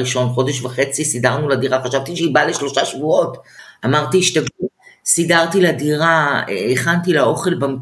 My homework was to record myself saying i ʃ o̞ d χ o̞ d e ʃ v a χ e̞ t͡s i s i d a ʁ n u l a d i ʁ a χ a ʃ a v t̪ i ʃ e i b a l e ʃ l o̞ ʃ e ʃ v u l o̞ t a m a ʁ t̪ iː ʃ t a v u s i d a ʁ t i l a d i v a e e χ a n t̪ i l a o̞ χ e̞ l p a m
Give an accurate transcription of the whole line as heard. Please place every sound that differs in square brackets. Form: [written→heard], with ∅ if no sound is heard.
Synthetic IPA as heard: i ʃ o̞ [d→n] χ o̞ d e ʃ v a χ e̞ t͡s i s i d a ʁ n u l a d i ʁ a χ a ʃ a v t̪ i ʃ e i b a l e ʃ l o̞ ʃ [e→a] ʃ v u [l→∅] o̞ t a m a ʁ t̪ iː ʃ t a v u s i d a ʁ t i l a d i [v→ʁ] a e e χ a n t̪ i l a o̞ χ e̞ l [p→b] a m